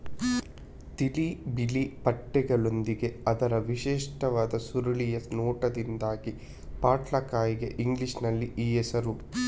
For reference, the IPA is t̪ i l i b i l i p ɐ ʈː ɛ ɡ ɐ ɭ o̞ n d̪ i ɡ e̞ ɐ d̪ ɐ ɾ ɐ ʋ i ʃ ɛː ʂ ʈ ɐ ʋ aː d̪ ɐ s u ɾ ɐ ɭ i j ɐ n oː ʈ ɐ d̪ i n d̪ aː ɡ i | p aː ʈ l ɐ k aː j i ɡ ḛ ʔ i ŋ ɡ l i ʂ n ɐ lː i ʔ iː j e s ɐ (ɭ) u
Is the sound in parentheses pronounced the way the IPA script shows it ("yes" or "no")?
no